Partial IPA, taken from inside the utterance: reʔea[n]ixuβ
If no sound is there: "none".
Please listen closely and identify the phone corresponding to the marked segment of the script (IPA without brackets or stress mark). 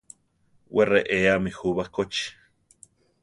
m